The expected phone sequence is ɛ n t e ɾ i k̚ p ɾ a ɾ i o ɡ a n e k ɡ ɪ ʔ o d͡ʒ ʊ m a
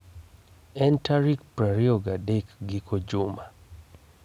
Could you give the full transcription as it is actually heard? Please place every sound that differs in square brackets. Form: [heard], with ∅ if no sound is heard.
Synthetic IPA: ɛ n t [a] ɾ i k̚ p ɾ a ɾ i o ɡ a [d] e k ɡ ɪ [k] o d͡ʒ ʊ m a